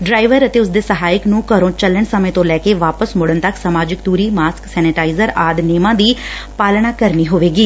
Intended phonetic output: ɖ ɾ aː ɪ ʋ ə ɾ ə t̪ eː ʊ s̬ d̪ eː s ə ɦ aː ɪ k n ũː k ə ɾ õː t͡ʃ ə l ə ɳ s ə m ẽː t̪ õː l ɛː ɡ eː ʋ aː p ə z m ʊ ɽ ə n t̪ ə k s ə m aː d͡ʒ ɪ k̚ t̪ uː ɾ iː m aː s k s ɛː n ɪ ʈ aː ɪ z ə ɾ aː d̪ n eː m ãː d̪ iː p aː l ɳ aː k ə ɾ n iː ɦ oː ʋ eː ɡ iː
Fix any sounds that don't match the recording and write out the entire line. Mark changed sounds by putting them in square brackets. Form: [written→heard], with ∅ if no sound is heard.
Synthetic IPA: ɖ ɾ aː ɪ ʋ ə ɾ ə t̪ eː ʊ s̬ d̪ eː s ə ɦ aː ɪ k n ũː k ə ɾ õː t͡ʃ ə l ə ɳ s ə m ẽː t̪ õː l ɛː [ɡ→k] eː ʋ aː p ə [z→s] m ʊ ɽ ə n t̪ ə k s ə m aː d͡ʒ ɪ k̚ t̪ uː ɾ iː m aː s k s ɛː n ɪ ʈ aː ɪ z ə ɾ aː d̪ n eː m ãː d̪ iː p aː l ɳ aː k ə ɾ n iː ɦ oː ʋ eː ɡ iː